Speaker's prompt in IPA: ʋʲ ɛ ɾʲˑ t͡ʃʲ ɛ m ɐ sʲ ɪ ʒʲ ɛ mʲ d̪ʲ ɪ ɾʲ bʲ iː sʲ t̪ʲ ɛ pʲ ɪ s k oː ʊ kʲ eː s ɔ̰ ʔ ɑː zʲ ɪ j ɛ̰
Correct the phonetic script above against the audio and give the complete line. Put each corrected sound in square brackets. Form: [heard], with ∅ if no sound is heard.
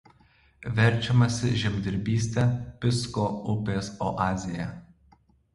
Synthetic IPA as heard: ʋʲ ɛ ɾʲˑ t͡ʃʲ ɛ m ɐ sʲ ɪ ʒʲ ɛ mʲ d̪ʲ ɪ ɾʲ bʲ iː sʲ t̪ʲ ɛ pʲ ɪ s k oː ʊ [pʲ] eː s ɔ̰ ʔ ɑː zʲ ɪ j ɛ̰